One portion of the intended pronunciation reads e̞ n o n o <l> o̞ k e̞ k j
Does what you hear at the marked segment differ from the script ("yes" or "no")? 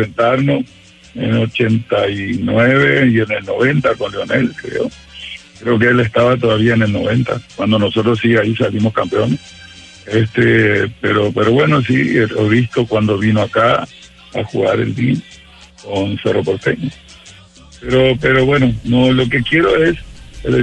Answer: no